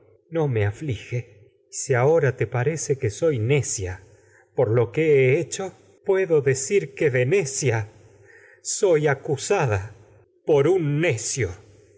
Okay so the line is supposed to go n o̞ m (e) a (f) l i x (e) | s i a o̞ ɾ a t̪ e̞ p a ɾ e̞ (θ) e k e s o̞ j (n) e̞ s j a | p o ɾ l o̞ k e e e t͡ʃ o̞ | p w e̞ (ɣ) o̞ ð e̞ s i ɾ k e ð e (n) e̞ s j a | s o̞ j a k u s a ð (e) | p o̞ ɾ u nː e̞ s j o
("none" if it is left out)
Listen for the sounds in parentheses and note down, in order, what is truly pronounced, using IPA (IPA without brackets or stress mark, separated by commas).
e, f, e, s, n, ð, n, a